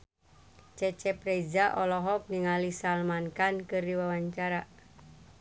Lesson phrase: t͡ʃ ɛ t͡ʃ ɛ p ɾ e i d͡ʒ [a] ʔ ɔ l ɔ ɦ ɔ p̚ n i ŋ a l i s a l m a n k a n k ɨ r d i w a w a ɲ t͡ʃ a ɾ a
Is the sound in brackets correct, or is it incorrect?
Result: correct